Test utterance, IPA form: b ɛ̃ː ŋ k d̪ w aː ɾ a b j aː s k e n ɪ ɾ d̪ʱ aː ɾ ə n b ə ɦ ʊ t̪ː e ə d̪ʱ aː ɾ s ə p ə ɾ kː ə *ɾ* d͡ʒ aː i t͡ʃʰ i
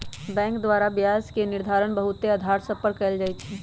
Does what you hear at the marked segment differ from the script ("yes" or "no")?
yes